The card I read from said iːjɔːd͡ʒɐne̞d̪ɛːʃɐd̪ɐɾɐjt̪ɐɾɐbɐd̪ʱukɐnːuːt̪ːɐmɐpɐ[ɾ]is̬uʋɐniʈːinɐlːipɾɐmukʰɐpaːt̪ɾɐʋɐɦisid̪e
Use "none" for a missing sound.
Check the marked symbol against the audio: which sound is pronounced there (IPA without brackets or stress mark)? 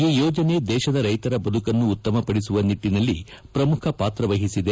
ɽ